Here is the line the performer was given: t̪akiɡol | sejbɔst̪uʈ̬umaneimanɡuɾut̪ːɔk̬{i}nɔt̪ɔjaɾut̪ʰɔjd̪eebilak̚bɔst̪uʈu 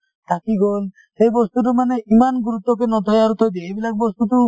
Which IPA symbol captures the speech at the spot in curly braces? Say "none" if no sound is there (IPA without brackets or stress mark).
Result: e